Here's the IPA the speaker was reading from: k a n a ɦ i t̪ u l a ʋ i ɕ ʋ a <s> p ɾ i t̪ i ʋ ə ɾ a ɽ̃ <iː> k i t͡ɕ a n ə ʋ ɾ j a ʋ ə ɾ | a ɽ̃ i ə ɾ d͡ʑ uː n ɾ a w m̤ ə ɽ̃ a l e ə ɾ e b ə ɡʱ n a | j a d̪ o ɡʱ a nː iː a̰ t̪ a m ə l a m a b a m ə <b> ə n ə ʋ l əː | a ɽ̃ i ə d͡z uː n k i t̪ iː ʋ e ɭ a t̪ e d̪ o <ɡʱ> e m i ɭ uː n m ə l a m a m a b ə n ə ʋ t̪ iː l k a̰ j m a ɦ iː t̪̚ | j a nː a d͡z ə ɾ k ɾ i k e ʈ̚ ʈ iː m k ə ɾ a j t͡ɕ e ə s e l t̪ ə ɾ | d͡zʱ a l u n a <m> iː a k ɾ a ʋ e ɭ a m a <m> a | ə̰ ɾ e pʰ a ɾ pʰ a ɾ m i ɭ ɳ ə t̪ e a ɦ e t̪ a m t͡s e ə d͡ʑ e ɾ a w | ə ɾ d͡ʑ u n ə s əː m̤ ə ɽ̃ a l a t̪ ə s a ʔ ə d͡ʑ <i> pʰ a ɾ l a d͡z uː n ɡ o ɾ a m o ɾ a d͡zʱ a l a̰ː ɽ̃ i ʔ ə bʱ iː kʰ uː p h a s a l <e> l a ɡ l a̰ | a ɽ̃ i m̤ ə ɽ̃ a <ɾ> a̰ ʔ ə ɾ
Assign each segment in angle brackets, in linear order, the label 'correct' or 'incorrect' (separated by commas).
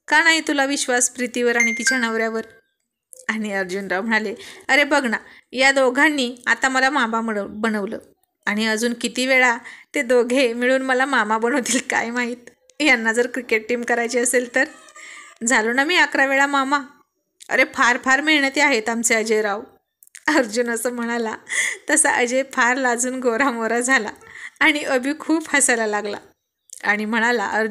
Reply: correct, incorrect, correct, correct, correct, correct, incorrect, incorrect, incorrect